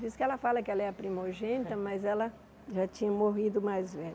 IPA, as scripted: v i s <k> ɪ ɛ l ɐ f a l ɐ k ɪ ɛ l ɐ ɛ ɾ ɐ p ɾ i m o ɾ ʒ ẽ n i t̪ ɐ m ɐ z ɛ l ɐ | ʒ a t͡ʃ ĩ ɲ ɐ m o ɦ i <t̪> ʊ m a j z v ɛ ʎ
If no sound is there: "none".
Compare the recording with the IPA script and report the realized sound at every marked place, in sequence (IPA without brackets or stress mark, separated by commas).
k, d̪